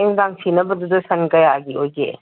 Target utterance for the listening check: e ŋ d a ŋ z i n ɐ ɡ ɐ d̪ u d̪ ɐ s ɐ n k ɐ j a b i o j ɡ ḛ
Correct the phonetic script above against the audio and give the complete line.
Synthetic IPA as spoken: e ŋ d a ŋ s i n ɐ b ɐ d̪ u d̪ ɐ s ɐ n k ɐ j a ɡ i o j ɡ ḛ